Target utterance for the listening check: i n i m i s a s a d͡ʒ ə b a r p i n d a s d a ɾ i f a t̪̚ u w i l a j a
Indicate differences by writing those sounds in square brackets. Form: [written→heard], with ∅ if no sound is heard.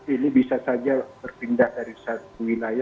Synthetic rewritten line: i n i [m→b] i s a s a d͡ʒ [ə→a] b [a→ə] r p i n d a [s→h] d a ɾ i [f→s] a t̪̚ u w i l a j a